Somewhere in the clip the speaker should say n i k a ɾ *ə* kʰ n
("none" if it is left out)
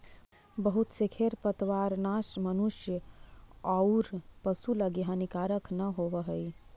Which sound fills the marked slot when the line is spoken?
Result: ə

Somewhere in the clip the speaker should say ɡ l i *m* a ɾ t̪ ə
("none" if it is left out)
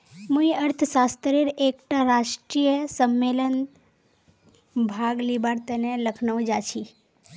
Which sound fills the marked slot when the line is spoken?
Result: b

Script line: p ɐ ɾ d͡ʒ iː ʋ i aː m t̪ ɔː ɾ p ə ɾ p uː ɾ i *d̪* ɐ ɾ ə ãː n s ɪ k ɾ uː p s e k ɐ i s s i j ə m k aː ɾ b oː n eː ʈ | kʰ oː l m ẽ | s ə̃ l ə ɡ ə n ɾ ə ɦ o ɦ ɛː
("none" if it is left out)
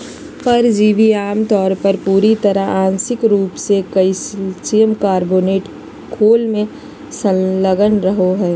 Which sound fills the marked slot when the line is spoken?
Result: t̪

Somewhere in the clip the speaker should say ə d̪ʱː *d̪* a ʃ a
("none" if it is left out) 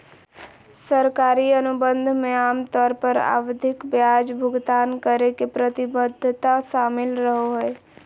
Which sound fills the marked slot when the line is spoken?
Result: t̪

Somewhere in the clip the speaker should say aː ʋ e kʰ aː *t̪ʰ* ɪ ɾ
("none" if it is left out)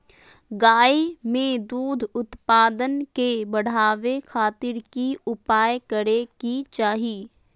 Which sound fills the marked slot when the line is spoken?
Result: t̪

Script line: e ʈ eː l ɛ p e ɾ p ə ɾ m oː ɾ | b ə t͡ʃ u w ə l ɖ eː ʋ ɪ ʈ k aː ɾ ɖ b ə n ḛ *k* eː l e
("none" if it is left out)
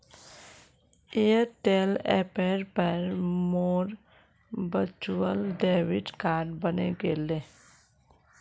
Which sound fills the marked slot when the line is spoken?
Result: ɡ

